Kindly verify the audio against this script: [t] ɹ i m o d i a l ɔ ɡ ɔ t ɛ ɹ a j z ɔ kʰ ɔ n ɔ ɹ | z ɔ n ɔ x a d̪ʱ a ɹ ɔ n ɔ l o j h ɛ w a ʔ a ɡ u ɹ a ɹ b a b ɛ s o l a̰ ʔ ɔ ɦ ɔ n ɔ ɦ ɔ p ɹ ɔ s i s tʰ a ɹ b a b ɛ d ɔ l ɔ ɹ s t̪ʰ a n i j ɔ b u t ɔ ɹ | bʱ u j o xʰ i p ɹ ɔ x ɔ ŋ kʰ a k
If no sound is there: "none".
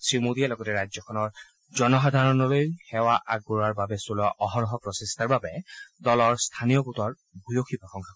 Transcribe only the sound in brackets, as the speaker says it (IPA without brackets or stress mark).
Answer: s